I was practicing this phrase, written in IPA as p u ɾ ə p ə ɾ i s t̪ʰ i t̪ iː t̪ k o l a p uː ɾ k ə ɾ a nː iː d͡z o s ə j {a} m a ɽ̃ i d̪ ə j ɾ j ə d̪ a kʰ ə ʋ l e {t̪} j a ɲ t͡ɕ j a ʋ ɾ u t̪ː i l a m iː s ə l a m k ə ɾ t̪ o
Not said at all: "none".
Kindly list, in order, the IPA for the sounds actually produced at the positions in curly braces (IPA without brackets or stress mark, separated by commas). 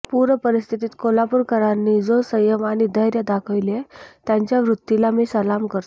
ə, t̪